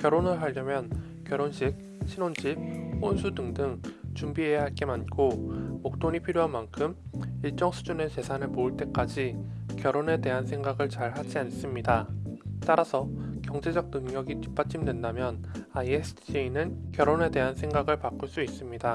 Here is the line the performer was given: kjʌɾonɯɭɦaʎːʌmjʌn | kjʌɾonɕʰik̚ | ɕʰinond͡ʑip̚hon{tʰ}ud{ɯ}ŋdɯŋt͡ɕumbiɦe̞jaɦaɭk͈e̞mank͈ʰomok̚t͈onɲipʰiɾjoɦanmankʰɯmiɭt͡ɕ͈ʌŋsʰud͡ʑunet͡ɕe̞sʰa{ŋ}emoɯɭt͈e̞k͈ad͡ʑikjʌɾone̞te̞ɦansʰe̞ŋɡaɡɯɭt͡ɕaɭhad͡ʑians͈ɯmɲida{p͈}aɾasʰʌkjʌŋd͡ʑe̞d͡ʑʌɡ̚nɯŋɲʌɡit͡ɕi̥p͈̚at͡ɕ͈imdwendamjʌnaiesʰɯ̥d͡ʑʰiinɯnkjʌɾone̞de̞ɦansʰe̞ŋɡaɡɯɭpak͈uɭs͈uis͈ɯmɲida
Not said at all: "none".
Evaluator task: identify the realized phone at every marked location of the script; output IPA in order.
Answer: sʰ, ɯ, n, t͈

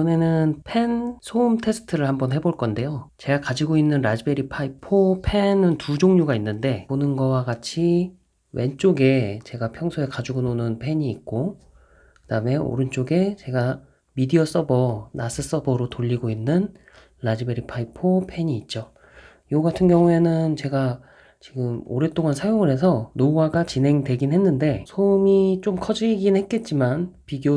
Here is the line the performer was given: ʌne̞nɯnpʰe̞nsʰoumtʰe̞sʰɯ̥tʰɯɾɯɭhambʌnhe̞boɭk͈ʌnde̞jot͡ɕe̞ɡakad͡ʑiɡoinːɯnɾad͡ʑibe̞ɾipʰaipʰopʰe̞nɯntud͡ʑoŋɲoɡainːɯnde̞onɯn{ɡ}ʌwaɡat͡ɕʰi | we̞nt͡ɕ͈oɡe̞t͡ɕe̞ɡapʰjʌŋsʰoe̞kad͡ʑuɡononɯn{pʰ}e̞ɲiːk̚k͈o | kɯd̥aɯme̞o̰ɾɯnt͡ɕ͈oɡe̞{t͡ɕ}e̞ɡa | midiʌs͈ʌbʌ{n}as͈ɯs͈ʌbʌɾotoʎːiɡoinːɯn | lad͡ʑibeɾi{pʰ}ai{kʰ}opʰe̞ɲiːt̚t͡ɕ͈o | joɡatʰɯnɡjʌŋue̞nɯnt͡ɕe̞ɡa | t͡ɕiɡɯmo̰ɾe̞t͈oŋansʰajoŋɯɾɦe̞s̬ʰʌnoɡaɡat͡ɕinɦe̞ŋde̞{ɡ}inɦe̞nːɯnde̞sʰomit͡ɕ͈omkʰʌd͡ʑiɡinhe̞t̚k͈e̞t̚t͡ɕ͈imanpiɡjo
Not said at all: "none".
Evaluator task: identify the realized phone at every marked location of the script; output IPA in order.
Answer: ɡ, pʰ, t͡ɕ, n, pʰ, pʰ, ɡ

